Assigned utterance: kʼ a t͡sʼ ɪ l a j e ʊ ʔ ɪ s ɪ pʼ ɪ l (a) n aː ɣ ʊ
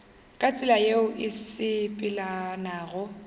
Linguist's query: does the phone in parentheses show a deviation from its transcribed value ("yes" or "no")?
no